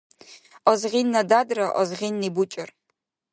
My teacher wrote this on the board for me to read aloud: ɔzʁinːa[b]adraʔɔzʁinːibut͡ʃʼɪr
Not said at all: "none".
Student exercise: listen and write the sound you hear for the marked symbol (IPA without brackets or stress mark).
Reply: d